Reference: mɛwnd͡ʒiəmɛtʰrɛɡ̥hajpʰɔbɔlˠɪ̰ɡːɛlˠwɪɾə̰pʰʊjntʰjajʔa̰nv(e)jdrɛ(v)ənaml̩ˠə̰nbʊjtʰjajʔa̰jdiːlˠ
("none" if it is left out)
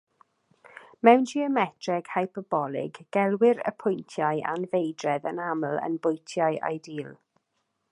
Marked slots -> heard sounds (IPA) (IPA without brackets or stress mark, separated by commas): e, ð